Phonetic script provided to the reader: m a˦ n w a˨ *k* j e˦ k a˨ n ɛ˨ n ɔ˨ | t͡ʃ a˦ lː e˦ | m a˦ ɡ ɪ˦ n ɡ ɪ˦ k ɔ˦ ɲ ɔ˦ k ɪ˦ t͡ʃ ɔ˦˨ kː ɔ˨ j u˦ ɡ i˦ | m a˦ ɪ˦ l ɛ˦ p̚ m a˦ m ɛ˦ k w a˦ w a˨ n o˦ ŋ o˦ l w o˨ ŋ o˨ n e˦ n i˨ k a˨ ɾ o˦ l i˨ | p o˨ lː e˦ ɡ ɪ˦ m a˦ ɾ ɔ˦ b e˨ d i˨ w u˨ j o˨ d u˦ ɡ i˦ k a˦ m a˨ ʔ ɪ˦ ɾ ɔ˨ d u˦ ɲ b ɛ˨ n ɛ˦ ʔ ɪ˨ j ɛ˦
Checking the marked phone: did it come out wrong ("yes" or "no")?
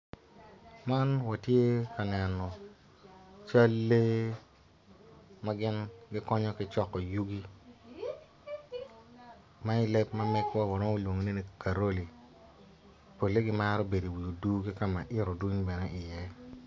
yes